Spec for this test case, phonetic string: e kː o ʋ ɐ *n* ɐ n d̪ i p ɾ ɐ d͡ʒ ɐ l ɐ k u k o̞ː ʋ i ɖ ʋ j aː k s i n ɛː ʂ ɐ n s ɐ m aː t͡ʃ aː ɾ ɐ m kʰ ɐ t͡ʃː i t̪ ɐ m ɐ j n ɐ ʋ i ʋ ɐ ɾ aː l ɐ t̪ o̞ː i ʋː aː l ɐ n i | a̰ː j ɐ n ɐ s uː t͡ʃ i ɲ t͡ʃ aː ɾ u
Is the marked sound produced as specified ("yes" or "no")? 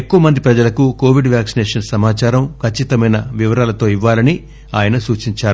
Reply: no